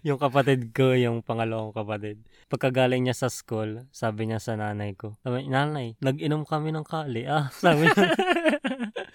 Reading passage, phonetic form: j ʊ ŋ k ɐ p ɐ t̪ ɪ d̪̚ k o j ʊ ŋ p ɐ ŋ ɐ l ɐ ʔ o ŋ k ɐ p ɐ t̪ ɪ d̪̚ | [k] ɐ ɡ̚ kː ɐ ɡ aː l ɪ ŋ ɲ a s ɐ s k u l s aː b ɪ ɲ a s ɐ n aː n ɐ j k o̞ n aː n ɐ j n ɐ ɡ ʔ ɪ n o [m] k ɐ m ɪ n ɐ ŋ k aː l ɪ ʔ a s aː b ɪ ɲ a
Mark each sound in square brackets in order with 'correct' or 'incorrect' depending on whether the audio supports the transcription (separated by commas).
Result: incorrect, correct